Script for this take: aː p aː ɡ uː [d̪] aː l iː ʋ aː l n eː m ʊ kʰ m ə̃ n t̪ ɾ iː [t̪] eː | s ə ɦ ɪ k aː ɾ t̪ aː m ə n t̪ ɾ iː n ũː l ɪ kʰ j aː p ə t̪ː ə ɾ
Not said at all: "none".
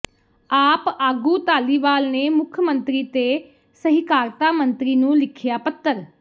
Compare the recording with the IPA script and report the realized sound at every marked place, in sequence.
t̪, t̪

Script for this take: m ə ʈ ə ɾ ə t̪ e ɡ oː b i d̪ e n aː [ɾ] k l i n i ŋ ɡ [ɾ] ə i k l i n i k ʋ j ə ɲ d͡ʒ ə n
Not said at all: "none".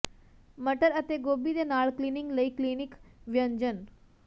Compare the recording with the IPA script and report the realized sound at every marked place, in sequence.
ɭ, l

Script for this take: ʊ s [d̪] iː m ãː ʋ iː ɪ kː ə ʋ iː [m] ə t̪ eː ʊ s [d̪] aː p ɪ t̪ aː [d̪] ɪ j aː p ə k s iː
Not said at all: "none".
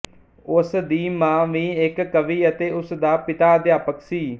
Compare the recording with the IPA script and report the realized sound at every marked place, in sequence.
d̪, none, d̪, d̪

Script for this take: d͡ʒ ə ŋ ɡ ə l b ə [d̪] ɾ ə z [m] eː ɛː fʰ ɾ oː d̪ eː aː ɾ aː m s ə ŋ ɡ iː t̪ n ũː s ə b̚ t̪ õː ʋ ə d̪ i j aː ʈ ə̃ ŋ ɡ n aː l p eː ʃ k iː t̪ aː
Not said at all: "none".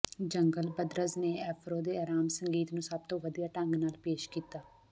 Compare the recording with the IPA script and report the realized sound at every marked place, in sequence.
d̪, n

